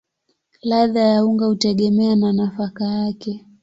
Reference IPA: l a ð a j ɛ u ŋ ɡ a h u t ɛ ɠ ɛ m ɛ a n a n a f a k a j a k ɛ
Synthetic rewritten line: l a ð a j a u ŋ ɡ a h u t ɛ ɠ ɛ m ɛ a n a n a f a k a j a k ɛ